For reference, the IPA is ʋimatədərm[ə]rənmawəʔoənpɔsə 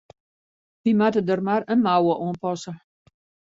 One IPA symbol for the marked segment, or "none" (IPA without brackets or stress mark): a